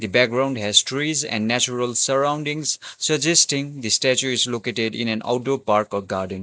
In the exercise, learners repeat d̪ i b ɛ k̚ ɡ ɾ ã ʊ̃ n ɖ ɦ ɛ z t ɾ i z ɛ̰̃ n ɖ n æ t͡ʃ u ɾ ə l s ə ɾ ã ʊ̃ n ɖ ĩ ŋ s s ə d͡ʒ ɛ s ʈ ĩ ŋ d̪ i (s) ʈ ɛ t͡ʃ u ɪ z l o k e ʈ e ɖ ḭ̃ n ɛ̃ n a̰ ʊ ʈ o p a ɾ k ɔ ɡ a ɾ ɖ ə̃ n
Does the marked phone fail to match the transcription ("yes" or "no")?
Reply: no